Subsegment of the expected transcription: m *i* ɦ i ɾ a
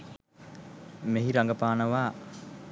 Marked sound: incorrect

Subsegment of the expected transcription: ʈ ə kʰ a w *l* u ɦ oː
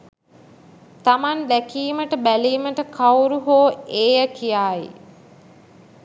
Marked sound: incorrect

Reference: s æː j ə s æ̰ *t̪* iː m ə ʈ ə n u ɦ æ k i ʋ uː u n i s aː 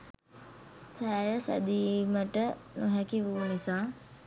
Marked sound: incorrect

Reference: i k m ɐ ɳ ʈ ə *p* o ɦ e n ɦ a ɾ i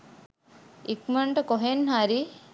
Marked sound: incorrect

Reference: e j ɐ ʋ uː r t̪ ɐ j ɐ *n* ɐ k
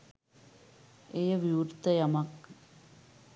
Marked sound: incorrect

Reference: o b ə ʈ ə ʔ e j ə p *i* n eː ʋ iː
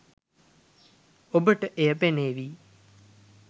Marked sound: incorrect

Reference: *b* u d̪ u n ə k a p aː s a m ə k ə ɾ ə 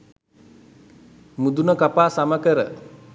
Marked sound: incorrect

